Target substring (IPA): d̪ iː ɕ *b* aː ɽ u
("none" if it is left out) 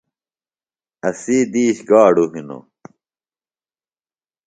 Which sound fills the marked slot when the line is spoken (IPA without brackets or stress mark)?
ɡ